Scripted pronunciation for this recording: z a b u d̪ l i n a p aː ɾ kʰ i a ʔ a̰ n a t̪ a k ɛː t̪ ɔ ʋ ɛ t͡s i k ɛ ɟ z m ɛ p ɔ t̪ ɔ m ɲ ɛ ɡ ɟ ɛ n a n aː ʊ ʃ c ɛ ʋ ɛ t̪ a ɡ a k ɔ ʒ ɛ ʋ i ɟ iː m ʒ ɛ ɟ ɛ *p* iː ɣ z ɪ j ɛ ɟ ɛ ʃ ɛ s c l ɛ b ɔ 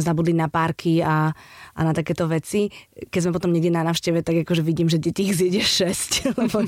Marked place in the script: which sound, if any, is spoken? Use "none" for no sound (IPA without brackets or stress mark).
c